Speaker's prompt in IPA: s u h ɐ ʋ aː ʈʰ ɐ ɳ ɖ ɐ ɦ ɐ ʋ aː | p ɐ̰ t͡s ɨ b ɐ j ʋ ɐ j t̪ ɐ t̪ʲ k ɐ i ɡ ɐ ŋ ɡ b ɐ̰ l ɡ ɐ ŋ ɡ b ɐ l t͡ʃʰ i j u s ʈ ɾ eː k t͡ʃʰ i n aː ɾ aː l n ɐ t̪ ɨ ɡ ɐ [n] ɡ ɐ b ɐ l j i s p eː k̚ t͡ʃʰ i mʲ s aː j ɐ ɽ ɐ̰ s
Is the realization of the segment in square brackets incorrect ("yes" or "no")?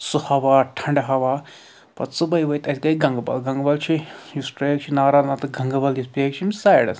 yes